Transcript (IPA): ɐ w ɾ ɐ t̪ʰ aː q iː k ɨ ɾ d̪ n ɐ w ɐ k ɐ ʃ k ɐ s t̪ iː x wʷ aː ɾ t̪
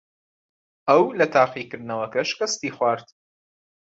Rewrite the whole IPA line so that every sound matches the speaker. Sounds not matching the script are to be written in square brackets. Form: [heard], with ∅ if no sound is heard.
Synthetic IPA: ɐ w [l] ɐ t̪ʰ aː q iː k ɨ ɾ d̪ n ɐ w ɐ k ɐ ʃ k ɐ s t̪ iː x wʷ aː ɾ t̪